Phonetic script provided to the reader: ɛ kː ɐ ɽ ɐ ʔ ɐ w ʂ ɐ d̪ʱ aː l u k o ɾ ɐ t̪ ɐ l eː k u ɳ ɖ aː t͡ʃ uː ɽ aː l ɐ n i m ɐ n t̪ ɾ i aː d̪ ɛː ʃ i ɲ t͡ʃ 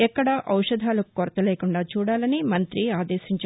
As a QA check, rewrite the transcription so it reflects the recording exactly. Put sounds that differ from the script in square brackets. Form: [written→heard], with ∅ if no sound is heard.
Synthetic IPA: ɛ kː ɐ ɽ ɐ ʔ ɐ w ʂ ɐ d̪ʱ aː l u k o ɾ ɐ t̪ ɐ l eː k u ɳ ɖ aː t͡ʃ uː ɽ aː l ɐ n i m ɐ n t̪ ɾ i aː d̪ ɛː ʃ i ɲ t͡ʃ